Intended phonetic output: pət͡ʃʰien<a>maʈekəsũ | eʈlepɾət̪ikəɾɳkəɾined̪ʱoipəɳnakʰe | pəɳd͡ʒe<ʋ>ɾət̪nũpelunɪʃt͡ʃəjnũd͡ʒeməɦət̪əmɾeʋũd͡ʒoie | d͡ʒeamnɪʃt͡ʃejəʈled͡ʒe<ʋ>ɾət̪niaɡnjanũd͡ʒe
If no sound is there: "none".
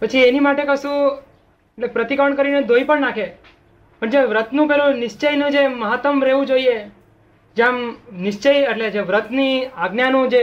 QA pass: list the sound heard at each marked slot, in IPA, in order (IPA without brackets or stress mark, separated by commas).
i, ʋ, ʋ